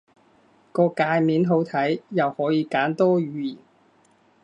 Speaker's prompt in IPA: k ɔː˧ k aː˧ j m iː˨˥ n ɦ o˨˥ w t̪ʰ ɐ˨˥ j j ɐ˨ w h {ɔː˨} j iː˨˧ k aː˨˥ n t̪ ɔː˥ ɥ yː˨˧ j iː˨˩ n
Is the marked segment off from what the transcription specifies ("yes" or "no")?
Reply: yes